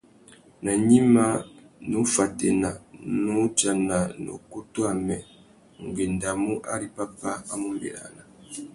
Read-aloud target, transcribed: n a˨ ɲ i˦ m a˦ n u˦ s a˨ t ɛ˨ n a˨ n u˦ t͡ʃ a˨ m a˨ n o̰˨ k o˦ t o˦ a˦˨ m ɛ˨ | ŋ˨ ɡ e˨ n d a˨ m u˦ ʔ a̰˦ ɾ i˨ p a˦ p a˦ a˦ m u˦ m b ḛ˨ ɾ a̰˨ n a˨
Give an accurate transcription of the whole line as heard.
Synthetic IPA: n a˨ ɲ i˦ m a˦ n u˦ f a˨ t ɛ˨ n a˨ n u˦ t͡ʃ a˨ n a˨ n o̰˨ k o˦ t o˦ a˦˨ m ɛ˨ | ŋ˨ ɡ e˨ n d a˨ m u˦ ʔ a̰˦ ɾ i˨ p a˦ p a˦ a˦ m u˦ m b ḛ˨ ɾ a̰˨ n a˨